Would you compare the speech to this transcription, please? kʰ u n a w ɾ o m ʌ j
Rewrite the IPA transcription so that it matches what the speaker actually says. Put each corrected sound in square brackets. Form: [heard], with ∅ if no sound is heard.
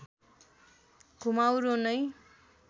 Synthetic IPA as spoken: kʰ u [m] a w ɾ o [n] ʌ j